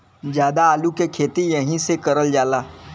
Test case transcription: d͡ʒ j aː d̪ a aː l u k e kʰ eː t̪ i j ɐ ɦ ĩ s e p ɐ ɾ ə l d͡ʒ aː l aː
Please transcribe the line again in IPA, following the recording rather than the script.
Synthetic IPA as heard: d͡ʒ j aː d̪ a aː l u k e kʰ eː t̪ i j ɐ ɦ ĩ s e k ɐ ɾ ə l d͡ʒ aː l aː

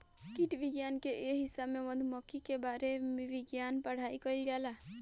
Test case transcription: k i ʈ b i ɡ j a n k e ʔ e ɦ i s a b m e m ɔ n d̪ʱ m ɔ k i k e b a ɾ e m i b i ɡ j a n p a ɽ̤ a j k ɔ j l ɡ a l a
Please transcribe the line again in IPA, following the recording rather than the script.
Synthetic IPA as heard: k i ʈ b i ɡ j a n k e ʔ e ɦ i s a b m e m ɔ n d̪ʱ m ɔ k i k e b a ɾ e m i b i ɡ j a n p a ɽ̤ a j k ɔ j l ɡ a l a

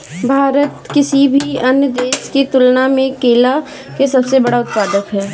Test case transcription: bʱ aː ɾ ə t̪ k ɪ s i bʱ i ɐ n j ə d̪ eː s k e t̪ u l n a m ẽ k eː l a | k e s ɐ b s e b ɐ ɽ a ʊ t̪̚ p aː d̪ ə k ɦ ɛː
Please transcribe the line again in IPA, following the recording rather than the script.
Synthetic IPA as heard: bʱ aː ɾ ə t̪ k ɪ s i bʱ i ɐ n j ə d̪ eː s k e t̪ ʊ l n a m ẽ k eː l a | k e s ɐ b s e b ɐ ɽ a ʊ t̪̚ p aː d̪ ə k ɦ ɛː

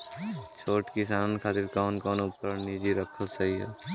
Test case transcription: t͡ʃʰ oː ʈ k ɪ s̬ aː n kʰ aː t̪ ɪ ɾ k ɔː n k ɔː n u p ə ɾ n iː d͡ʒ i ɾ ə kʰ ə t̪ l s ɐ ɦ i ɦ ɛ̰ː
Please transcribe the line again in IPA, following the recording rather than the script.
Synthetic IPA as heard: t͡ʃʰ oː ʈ k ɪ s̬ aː n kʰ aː t̪ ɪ ɾ k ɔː n k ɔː n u p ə ɾ n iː d͡ʒ i ɾ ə kʰ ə l s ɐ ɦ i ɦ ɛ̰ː

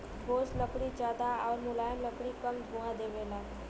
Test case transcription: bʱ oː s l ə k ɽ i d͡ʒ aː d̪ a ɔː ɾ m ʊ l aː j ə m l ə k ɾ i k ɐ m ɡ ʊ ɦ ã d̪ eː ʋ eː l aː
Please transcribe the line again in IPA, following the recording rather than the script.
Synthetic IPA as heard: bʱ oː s l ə k ɽ i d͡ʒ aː d̪ a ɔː ɾ m ʊ l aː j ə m l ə k ɽ i k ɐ m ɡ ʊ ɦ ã d̪ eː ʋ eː l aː

